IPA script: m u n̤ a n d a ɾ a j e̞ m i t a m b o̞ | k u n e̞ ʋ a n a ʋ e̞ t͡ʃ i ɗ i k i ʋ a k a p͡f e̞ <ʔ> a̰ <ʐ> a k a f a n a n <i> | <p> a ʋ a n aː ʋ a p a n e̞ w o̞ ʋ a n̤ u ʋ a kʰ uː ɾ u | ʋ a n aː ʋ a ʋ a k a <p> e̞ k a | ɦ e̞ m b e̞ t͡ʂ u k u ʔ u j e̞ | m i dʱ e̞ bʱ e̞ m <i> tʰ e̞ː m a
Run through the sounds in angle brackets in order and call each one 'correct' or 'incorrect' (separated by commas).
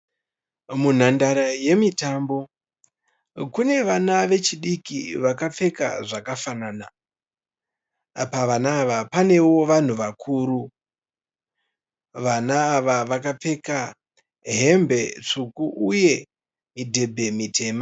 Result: incorrect, correct, incorrect, correct, incorrect, correct